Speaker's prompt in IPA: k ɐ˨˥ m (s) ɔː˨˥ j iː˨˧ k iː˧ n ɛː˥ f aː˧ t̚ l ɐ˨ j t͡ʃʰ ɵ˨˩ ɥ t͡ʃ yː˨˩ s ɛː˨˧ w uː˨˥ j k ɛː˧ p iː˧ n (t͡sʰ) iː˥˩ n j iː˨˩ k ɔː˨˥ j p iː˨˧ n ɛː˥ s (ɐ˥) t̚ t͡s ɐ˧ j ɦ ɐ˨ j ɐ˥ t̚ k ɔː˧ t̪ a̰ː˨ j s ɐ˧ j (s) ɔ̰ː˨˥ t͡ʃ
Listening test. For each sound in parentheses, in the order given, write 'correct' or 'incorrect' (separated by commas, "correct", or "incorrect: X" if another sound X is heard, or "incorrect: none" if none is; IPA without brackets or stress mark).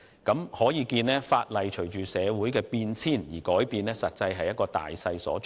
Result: incorrect: h, correct, incorrect: ɐ˨, correct